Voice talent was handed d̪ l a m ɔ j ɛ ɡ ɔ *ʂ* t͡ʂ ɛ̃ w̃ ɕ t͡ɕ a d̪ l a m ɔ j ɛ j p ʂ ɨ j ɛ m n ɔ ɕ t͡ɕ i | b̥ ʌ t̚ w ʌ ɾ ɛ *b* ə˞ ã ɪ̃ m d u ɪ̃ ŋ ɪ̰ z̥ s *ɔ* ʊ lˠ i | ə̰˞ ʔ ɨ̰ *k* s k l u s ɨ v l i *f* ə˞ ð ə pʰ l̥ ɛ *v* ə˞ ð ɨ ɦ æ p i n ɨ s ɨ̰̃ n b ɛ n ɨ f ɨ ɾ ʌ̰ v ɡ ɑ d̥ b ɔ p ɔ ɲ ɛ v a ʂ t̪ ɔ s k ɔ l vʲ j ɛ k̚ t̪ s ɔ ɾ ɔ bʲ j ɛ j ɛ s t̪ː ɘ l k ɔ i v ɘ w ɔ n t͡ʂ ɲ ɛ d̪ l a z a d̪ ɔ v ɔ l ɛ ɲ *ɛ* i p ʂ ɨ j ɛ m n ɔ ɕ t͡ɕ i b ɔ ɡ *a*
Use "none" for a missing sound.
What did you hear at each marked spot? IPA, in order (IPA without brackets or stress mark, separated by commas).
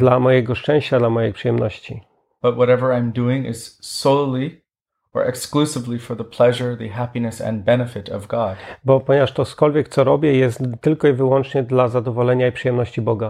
ʂ, v, o, k, f, ʒ, a, a